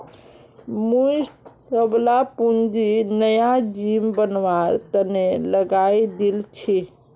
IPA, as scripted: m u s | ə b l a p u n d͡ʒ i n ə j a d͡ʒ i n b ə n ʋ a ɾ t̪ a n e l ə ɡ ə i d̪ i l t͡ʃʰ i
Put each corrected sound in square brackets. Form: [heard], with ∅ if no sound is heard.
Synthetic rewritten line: m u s | ə b l a p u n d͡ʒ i n ə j a d͡ʒ i [m] b ə n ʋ a ɾ t̪ [ə] n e l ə ɡ [a] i d̪ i l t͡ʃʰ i